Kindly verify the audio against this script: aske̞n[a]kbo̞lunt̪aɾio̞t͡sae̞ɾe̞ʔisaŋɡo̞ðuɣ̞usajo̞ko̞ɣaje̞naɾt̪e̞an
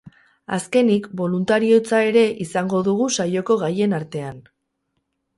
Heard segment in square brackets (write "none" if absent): i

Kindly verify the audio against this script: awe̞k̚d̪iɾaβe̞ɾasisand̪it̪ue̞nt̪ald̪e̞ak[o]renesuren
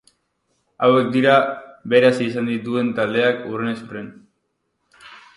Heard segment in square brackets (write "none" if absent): u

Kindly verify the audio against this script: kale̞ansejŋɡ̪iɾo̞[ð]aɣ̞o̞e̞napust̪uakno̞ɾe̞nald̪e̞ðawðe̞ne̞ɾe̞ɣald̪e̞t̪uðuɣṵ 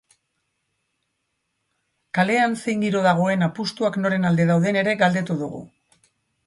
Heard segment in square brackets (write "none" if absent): ð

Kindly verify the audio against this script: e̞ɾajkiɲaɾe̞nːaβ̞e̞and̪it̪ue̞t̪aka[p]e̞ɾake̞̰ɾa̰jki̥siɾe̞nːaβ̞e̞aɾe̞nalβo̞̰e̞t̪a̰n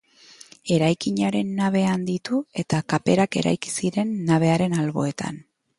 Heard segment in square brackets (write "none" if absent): p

